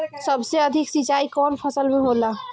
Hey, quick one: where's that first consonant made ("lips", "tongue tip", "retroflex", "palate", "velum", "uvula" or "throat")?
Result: tongue tip